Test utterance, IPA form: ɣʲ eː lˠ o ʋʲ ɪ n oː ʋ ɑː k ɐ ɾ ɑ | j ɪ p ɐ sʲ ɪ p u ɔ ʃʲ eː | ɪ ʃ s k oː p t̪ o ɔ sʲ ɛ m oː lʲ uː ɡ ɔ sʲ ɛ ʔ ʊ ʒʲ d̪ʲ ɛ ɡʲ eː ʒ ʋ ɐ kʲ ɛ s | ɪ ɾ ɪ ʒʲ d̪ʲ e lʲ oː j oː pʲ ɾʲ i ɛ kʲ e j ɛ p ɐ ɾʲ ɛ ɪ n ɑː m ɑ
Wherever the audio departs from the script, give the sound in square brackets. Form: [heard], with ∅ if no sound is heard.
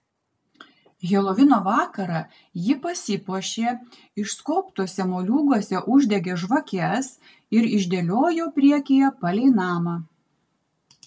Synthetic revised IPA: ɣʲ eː lˠ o ʋʲ ɪ n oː ʋ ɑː k ɐ ɾ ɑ | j ɪ p ɐ sʲ ɪ p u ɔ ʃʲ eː | ɪ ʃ s k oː p t̪ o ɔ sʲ ɛ m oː lʲ uː ɡ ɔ sʲ ɛ ʔ ʊ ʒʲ d̪ʲ ɛ ɡʲ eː ʒ ʋ ɐ kʲ ɛ s | ɪ ɾ ɪ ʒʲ d̪ʲ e lʲ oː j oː pʲ ɾʲ i ɛ kʲ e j ɛ p ɐ [lʲ] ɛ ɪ n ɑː m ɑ